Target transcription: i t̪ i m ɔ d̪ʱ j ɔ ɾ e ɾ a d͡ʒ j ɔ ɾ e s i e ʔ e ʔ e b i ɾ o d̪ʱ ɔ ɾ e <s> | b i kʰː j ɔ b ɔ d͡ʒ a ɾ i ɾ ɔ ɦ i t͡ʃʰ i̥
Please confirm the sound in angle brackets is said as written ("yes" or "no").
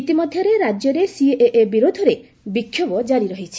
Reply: no